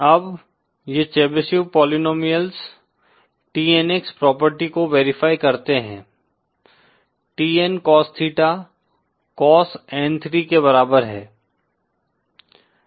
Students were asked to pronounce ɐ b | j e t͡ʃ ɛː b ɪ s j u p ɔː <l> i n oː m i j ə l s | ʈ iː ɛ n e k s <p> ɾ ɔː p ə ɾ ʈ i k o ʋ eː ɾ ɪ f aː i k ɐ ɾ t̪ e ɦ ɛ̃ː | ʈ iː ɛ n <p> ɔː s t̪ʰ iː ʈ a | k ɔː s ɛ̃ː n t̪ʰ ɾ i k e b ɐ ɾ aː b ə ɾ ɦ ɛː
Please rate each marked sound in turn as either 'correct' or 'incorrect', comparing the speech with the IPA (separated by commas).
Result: correct, correct, incorrect